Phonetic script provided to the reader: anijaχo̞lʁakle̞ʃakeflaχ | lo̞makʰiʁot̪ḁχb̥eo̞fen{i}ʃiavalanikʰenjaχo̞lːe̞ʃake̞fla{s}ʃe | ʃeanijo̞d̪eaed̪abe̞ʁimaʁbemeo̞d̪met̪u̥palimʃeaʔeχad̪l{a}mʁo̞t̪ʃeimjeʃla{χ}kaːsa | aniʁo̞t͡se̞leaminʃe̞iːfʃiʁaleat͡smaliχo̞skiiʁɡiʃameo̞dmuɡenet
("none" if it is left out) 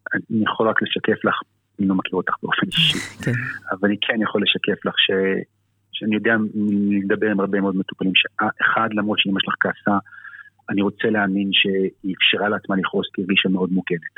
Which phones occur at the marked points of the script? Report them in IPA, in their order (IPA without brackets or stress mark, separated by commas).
i, χ, a, χ